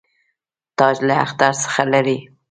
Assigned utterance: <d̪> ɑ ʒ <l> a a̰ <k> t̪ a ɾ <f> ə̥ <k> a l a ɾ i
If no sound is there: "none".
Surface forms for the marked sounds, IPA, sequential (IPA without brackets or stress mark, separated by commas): t̪, l, x, s, x